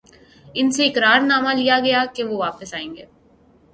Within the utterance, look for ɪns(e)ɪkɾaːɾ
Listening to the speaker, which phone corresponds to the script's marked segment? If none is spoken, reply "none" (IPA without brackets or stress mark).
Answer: e